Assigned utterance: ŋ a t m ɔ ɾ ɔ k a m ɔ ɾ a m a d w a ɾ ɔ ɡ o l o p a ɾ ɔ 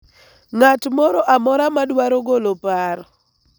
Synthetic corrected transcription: ŋ a t m ɔ ɾ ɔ ʔ a m ɔ ɾ a m a d w a ɾ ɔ ɡ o l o p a ɾ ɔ